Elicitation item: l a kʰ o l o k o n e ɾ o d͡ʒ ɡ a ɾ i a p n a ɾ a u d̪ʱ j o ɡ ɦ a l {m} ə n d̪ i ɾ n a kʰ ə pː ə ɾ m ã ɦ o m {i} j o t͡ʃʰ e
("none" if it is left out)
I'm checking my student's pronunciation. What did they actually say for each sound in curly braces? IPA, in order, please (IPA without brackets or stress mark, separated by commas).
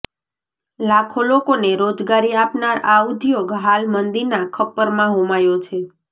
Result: m, a